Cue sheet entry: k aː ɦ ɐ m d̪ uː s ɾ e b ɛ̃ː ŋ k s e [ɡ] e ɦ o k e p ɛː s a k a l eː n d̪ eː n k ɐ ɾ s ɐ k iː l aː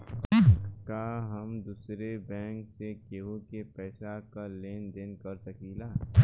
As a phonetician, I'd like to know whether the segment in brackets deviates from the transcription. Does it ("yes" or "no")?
yes